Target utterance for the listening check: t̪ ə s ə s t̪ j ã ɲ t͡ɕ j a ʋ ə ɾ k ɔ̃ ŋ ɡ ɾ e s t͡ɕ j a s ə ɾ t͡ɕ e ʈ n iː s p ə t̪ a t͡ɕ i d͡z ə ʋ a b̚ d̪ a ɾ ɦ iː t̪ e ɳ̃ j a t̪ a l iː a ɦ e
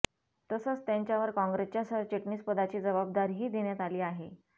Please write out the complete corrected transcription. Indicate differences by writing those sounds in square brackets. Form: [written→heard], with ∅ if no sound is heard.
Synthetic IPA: t̪ ə s ə [s→t͡s] t̪ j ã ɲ t͡ɕ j a ʋ ə ɾ k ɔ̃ ŋ ɡ ɾ e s t͡ɕ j a s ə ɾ t͡ɕ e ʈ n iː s p ə [t̪→d̪] a t͡ɕ [i→iː] d͡z ə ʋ a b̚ d̪ a ɾ ɦ iː [t̪→d̪] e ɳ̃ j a t̪ a l iː a ɦ e